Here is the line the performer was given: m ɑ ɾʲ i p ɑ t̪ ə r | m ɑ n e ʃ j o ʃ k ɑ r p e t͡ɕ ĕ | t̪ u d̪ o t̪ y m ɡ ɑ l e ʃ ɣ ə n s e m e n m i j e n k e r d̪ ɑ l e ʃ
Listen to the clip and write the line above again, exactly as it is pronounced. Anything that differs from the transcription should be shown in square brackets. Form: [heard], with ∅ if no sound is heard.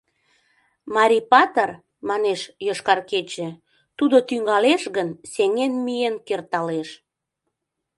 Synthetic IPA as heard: m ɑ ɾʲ i p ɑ t̪ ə r | m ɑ n e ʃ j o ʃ k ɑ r [k] e t͡ɕ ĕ | t̪ u d̪ o t̪ y [ŋ] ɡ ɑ l e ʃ ɣ ə n s e [ŋ] e n m i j e n k e r [t̪] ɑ l e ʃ

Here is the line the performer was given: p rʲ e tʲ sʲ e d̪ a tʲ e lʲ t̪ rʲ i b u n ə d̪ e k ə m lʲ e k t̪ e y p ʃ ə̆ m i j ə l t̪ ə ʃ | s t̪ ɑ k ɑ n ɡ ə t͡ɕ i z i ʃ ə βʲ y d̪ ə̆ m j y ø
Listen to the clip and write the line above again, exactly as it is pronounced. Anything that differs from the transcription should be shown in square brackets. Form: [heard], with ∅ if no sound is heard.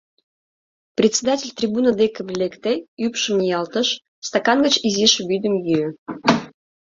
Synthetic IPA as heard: p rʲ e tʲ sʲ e d̪ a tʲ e lʲ t̪ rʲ i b u n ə d̪ e k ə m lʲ e k t̪ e y p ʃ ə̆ m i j [ɑ] l t̪ ə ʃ | s t̪ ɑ k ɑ n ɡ ə t͡ɕ i z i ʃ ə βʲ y d̪ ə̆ m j y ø

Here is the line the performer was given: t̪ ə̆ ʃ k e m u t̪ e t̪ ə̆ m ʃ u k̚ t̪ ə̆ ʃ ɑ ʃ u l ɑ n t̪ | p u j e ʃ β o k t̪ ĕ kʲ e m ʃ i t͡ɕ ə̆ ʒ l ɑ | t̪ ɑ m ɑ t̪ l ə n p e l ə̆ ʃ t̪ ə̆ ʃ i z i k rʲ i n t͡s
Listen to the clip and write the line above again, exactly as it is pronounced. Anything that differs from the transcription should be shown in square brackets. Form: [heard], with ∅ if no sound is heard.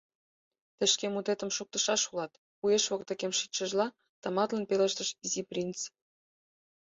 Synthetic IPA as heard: t̪ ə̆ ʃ k e m u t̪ e t̪ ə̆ m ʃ u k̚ t̪ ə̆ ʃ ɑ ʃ u l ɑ [∅] t̪ | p u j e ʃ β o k t̪ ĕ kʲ e m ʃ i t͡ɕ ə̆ ʒ l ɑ | t̪ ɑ m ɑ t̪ l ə n p e l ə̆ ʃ t̪ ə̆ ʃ i z i [p] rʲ i n t͡s

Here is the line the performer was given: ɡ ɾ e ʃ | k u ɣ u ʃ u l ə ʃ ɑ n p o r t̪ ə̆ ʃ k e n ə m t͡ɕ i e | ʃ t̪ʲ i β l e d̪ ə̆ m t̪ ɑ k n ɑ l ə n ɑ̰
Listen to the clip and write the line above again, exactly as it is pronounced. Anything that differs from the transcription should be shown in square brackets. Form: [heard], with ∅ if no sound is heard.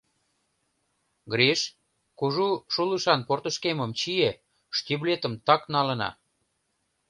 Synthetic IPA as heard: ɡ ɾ e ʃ | k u [ʒ] u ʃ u l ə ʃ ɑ n p o r t̪ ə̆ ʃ k e [m] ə m t͡ɕ i e | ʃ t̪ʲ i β l e [t̪] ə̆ m t̪ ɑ k n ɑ l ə n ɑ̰

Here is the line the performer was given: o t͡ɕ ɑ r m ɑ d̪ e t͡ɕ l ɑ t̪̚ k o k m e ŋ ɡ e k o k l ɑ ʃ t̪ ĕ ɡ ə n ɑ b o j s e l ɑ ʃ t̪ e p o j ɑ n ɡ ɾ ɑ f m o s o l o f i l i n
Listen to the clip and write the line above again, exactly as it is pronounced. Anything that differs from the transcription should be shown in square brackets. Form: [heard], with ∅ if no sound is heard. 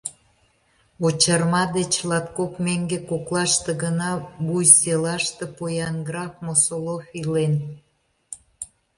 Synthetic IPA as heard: o t͡ɕ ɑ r m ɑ d̪ e t͡ɕ l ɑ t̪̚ k o k m e ŋ ɡ e k o k l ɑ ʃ t̪ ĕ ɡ ə n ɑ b [u] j s e l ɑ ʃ t̪ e p o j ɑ n ɡ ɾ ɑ f m o s o l o f i l [e] n

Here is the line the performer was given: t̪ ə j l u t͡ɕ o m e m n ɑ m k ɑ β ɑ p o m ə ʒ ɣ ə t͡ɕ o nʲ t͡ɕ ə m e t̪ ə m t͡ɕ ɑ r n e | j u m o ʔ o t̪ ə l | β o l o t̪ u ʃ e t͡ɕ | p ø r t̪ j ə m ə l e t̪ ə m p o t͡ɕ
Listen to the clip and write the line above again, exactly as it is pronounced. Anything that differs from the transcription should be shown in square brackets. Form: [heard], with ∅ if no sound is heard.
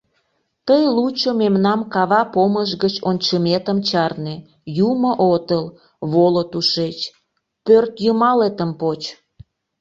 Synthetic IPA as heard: t̪ ə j l u t͡ɕ o m e m n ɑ m k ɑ β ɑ p o m ə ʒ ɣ ə t͡ɕ o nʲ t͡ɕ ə m e t̪ ə m t͡ɕ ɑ r n e | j u m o ʔ o t̪ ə l | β o l o t̪ u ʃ e t͡ɕ | p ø r t̪ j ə m [ɑ] l e t̪ ə m p o t͡ɕ

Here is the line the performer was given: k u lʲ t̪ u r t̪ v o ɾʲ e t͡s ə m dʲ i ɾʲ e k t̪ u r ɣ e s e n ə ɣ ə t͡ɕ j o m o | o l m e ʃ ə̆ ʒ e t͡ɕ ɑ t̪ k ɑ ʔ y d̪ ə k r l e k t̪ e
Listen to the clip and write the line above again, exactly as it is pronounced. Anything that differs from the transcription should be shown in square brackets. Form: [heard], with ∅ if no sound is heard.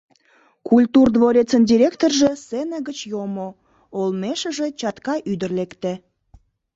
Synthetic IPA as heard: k u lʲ t̪ u r [d̪] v o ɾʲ e t͡s ə [n] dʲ i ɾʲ e k t̪ [o] r [ʒ] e s e n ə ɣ ə t͡ɕ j o m o | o l m e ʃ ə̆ ʒ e t͡ɕ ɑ t̪ k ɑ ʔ y d̪ ə [∅] r l e k t̪ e

